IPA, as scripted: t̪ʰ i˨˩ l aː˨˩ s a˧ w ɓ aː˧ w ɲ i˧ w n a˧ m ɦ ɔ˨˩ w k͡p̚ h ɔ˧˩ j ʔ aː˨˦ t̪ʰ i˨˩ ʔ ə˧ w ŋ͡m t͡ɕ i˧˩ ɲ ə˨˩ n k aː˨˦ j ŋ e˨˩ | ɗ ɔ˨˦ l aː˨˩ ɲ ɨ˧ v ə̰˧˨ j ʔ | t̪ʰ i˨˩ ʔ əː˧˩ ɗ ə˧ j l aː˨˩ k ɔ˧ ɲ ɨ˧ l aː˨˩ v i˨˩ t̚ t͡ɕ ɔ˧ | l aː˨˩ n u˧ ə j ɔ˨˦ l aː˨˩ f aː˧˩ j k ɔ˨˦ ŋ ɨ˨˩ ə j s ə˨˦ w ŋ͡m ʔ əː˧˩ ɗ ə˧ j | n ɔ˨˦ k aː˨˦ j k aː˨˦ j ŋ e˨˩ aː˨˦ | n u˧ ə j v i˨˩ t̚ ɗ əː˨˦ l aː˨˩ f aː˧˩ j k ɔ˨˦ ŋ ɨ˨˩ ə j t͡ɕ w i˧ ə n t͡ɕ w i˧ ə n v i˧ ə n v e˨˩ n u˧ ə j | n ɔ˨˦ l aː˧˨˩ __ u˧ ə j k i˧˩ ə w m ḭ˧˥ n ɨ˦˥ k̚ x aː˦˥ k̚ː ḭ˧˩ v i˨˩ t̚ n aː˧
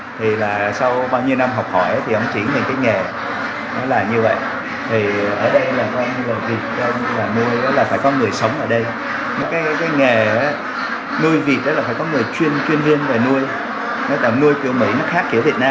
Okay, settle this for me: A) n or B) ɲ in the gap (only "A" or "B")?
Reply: A